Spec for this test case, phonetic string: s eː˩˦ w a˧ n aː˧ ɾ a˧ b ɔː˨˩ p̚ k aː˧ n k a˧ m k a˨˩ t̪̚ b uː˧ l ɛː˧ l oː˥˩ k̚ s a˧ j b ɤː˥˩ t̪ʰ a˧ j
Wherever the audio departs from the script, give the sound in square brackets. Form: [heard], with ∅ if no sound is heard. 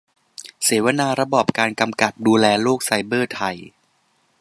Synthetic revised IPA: s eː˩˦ w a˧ n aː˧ ɾ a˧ b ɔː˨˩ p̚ k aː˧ n k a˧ m k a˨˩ t̪̚ [d] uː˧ l ɛː˧ l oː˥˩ k̚ s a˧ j b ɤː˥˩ t̪ʰ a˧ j